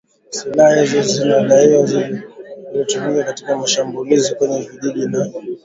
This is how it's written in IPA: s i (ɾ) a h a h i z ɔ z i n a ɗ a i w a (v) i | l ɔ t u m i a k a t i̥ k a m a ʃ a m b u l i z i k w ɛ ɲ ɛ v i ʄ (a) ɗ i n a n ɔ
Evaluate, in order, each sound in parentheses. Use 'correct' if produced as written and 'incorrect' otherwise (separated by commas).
incorrect, incorrect, incorrect